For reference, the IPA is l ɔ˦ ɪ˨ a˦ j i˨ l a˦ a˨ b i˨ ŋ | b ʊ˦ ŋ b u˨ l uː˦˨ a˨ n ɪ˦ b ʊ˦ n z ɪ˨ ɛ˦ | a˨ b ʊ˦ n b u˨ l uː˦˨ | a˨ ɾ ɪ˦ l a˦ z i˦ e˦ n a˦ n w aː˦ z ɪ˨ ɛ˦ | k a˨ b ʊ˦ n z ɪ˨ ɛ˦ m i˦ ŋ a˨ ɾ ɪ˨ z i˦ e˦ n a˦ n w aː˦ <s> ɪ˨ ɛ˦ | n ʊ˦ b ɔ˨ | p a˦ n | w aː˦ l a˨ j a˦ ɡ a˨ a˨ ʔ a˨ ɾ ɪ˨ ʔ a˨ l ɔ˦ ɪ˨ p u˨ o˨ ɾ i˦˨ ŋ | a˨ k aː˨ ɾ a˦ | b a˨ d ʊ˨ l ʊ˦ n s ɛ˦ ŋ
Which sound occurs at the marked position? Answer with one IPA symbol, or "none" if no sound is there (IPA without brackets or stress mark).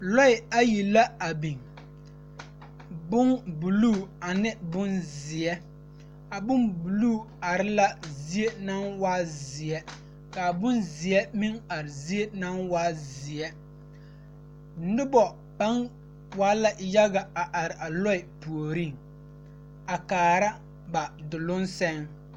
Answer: z